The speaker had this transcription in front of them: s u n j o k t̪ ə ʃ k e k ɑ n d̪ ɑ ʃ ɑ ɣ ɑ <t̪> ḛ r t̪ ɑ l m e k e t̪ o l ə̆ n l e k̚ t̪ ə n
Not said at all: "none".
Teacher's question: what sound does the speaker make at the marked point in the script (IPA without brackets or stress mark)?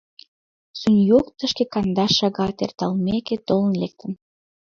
t̪